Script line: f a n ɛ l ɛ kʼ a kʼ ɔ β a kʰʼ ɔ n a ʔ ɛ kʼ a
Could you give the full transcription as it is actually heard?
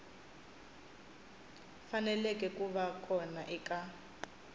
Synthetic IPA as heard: f a n ɛ l ɛ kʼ ɛ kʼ u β a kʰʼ ɔ n a ʔ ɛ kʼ a